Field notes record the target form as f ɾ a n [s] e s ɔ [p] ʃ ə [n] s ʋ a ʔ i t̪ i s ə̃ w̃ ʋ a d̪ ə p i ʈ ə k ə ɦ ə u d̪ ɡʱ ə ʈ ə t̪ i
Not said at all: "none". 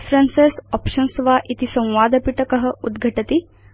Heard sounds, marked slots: s, p, n

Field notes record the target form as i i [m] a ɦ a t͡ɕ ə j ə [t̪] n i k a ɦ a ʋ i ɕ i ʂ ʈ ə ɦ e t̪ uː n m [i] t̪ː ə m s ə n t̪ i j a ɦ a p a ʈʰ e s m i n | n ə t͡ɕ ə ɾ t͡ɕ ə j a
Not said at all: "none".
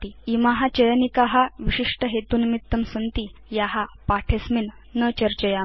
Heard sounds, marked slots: m, none, i

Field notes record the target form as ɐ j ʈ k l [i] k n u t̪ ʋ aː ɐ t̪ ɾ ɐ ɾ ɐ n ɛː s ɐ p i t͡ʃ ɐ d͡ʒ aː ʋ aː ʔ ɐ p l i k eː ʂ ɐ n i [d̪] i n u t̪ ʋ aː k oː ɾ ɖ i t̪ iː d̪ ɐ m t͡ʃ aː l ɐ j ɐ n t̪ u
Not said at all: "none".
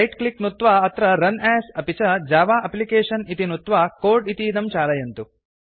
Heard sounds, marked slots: i, t̪

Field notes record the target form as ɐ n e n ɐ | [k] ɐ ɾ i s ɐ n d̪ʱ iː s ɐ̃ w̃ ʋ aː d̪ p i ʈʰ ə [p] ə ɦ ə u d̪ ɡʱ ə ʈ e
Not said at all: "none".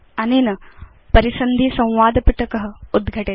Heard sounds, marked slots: p, k

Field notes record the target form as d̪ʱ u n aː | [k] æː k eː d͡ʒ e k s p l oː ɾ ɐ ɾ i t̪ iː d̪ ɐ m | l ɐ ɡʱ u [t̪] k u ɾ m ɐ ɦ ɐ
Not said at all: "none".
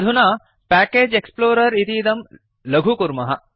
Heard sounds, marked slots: p, none

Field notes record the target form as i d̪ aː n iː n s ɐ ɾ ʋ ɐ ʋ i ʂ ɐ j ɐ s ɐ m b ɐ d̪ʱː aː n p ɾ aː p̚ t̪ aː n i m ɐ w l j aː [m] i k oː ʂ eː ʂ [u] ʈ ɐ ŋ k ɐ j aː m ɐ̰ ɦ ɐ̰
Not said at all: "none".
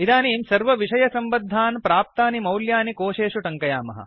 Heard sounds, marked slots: n, u

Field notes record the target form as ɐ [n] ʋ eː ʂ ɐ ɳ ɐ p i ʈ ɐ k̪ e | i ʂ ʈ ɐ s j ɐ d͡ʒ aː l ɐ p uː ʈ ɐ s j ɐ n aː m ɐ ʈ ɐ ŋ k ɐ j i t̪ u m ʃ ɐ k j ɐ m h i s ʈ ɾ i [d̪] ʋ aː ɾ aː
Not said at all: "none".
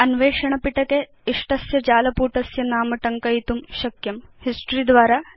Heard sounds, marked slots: n, d̪

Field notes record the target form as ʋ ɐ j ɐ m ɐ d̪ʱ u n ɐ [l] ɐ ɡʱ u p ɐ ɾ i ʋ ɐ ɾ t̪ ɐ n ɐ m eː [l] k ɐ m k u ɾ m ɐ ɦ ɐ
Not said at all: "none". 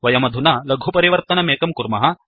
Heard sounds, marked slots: l, none

